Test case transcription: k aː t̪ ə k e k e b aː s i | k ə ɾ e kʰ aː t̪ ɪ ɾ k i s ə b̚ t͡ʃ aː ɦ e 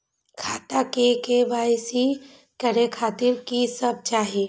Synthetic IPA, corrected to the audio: kʰ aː t̪ a k e k e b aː s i | k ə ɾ e kʰ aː t̪ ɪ ɾ k i s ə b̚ t͡ʃ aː ɦ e